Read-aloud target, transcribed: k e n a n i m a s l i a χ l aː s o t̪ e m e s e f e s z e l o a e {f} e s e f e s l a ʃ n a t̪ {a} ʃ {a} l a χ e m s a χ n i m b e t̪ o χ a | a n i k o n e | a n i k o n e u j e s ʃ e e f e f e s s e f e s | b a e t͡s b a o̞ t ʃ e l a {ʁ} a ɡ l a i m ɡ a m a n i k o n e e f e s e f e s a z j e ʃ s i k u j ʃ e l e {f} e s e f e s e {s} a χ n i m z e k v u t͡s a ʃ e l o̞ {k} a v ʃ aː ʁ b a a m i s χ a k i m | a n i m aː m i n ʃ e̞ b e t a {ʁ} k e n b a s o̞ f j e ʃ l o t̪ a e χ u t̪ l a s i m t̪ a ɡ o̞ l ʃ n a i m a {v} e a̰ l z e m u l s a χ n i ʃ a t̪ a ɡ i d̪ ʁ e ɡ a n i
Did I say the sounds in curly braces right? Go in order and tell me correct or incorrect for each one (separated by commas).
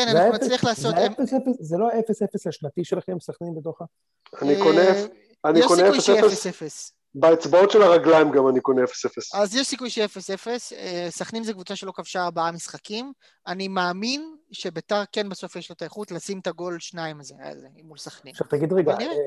correct, incorrect, incorrect, correct, correct, correct, correct, correct, incorrect